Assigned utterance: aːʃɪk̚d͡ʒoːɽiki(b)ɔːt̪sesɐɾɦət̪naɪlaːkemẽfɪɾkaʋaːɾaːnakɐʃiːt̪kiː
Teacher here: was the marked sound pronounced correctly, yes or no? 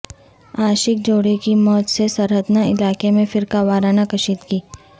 no